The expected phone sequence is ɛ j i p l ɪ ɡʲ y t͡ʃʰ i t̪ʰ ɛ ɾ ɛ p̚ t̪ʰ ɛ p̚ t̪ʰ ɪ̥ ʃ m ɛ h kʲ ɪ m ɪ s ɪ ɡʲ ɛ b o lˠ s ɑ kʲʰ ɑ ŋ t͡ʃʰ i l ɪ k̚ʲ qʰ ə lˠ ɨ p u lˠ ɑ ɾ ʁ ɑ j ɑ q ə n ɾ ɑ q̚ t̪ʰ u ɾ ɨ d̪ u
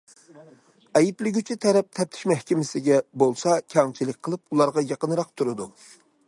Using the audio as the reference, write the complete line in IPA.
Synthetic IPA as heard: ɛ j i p l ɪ ɡʲ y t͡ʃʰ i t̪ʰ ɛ ɾ ɛ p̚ t̪ʰ ɛ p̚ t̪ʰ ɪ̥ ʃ m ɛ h kʲ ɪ m ɪ s ɪ ɡʲ ɛ b o lˠ s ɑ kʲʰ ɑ ŋ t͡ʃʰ i l ɪ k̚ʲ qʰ ə lˠ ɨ p u lˠ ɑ ɾ ʁ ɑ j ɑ q ə n ɾ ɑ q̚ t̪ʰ u ɾ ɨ d̪ u